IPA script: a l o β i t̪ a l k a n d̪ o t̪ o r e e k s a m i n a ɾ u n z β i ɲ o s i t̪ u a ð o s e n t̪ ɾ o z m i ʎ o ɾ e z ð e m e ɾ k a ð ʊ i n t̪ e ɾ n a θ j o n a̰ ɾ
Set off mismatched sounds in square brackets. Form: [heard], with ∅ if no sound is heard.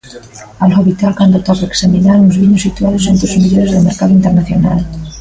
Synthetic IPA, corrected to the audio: a l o β i t̪ a l k a n d̪ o t̪ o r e e k s a m i n a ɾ u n z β i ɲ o s i t̪ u a ð o s e n t̪ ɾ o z m i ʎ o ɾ e z ð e m e ɾ k a ð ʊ i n t̪ e ɾ n a θ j o n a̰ [l]